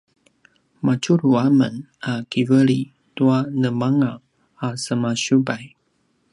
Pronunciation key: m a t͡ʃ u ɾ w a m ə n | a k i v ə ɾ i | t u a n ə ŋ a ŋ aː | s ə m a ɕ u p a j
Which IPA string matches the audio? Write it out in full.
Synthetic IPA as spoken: m a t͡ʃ u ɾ u a m ə n | a k i v ə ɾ i | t u a n ə m a ŋ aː | s ə m a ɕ u b a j